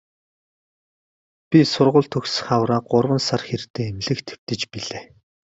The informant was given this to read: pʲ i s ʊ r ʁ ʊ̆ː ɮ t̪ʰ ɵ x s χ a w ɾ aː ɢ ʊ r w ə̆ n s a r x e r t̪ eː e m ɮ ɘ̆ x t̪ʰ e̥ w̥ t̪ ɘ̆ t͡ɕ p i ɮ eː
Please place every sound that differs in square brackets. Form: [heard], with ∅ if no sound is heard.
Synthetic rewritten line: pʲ i s ʊ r ʁ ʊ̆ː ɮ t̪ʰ ɵ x s χ a w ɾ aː ɢ ʊ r w ə̆ n s a r x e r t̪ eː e m ɮ ɘ̆ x t̪ʰ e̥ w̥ t̪ ɘ̆ t͡ɕ p i ɮ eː